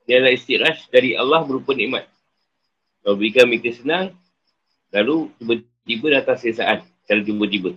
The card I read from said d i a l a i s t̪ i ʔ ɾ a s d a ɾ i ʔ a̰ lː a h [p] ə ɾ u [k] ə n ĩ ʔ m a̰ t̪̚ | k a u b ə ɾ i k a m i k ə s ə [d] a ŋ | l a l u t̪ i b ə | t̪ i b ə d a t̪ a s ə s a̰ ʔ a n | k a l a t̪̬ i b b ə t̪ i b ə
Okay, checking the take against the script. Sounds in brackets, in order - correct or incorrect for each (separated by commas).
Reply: incorrect, incorrect, incorrect